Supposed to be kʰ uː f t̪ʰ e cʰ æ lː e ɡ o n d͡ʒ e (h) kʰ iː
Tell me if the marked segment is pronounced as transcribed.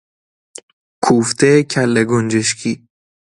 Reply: no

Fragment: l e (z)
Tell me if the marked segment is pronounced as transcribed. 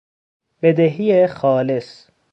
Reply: no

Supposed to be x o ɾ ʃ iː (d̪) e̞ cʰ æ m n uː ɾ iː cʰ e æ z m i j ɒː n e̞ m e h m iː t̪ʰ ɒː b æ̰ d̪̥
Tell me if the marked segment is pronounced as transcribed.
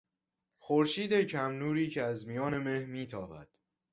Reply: yes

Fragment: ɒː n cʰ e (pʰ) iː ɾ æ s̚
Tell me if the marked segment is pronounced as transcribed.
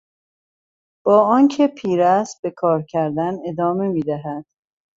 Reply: yes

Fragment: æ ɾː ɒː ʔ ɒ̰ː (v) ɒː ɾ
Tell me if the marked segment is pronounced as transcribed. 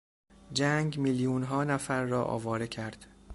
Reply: yes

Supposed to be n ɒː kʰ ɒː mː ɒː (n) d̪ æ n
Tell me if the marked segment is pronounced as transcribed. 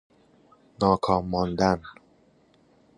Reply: yes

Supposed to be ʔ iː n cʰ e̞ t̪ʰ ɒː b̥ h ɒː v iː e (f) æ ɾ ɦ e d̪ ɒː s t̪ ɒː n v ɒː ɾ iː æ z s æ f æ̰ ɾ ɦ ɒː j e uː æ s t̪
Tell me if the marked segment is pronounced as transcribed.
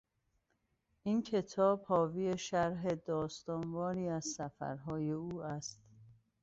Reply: no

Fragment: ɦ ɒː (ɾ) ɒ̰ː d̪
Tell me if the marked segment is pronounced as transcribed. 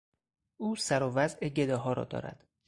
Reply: yes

